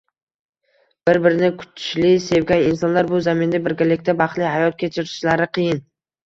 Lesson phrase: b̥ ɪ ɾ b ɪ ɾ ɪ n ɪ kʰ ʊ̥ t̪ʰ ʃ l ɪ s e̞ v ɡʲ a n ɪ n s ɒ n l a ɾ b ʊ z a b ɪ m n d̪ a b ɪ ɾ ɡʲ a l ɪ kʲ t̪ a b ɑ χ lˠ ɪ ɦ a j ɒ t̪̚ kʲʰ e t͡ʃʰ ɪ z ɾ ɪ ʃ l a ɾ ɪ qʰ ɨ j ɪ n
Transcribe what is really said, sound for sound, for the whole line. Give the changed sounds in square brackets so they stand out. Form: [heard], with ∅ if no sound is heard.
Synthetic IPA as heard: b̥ ɪ ɾ b ɪ ɾ ɪ n ɪ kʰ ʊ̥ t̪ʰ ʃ l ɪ s e̞ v ɡʲ a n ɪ n s ɒ n l a ɾ b ʊ z a [m] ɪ [∅] n d̪ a b ɪ ɾ ɡʲ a l ɪ kʲ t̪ a b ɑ χ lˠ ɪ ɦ a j ɒ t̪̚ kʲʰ e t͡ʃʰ ɪ [∅] ɾ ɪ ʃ l a ɾ ɪ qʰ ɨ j ɪ n